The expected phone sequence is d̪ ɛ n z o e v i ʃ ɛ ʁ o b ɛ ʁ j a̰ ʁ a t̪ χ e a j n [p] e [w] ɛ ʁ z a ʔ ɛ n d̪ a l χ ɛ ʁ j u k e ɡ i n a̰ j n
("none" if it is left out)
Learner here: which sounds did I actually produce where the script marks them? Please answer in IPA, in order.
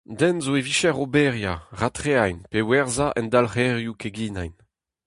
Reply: p, w

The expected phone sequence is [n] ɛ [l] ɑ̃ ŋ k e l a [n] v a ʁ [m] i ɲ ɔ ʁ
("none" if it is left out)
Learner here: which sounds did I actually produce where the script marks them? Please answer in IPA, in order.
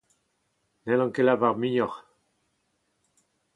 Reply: n, l, none, m

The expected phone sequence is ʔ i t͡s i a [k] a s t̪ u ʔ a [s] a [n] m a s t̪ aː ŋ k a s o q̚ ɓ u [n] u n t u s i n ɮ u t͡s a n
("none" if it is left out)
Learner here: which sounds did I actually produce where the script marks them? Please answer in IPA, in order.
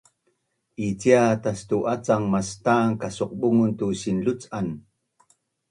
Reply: t, t͡s, ŋ, ŋ

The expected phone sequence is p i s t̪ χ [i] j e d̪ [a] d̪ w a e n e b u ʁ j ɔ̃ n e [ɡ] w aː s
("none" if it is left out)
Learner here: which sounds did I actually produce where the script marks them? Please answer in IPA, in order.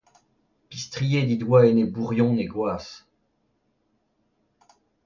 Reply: i, i, ɡ

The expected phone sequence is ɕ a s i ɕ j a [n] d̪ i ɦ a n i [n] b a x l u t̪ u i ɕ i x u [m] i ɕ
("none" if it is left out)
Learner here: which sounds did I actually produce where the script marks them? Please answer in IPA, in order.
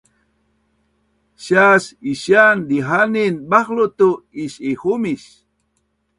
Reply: n, n, m

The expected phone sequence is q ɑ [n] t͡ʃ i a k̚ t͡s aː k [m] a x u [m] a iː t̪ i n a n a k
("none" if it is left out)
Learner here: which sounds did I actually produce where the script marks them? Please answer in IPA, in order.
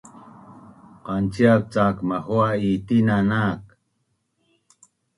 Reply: n, m, none

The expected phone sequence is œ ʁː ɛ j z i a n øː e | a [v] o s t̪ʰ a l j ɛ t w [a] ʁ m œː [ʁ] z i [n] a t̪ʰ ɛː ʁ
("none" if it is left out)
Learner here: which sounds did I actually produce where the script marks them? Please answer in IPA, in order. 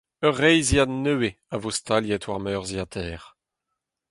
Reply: v, a, ʁ, none

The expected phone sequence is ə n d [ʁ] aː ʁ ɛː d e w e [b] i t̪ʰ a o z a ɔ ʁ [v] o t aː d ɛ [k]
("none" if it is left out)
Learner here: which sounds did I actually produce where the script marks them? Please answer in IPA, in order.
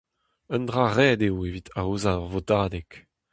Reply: ʁ, v, v, k

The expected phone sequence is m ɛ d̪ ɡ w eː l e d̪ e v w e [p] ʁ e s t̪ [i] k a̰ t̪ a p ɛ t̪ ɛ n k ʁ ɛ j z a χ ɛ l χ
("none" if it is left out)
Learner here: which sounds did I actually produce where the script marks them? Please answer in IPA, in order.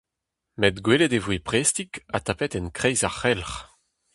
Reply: p, i

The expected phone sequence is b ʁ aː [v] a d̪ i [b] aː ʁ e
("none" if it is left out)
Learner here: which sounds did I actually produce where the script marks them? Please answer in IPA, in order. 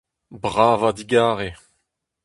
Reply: v, ɡ

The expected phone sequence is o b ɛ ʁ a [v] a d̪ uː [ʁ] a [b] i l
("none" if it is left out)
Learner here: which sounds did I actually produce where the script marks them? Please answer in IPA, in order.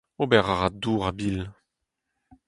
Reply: ʁ, ʁ, b

